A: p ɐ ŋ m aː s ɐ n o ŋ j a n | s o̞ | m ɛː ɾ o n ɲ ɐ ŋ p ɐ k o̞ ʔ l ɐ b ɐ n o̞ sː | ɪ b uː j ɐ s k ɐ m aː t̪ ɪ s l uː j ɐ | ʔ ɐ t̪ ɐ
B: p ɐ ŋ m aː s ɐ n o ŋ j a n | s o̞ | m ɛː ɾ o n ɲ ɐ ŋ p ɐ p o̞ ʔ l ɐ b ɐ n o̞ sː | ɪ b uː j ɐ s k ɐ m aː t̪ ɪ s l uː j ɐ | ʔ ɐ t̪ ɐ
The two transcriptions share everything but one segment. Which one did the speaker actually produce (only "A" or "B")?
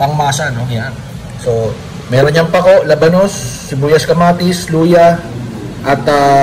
A